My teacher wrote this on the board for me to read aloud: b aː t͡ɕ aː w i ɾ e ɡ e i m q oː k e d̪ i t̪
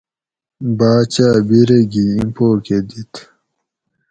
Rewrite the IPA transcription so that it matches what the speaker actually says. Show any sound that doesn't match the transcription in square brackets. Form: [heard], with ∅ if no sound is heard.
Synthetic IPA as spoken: b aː t͡ɕ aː [b] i ɾ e ɡ [i] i m [p] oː k e d̪ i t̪